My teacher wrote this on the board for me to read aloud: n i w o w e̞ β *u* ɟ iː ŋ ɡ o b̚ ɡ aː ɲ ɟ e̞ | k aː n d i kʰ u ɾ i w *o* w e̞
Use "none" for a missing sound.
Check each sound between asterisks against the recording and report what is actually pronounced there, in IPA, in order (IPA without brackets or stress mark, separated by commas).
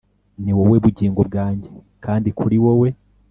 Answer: u, o